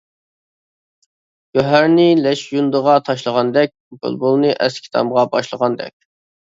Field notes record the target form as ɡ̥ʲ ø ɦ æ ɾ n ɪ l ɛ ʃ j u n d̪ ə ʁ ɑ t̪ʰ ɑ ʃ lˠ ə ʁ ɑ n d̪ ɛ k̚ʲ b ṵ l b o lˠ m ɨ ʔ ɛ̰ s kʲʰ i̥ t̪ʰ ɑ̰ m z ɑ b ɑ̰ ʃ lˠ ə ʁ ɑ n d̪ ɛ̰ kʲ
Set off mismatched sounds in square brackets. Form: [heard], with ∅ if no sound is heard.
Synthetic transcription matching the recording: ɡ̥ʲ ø ɦ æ ɾ n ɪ l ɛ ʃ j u n d̪ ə ʁ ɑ t̪ʰ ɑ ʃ lˠ ə ʁ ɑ n d̪ ɛ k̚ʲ b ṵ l b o lˠ [n] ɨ ʔ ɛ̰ s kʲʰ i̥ t̪ʰ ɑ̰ m [ʁ] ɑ b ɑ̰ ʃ lˠ ə ʁ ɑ n d̪ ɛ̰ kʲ